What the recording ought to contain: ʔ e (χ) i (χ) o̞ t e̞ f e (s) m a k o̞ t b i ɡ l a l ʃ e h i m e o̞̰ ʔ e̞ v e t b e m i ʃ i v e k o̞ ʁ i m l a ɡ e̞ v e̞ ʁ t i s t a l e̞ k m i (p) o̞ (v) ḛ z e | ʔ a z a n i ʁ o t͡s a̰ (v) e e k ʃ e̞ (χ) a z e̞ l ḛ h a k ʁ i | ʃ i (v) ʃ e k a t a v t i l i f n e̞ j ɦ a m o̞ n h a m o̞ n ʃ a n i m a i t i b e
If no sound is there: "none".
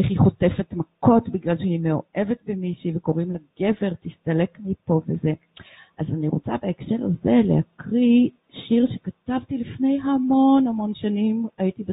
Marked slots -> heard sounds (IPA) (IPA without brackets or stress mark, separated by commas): χ, χ, t, p, v, b, ʁ, ʁ